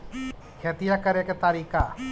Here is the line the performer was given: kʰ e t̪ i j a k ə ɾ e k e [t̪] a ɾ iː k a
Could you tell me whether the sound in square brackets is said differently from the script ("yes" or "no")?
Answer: no